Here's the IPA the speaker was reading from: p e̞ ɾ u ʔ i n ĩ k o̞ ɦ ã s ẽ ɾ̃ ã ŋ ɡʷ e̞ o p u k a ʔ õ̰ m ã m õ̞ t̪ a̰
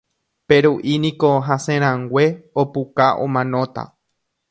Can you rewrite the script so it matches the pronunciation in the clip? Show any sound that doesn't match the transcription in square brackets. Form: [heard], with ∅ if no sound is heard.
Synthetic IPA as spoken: p e̞ ɾ u ʔ i n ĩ k o̞ ɦ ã s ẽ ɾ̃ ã ŋ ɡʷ e̞ o p u k a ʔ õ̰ m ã [n] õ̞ t̪ a̰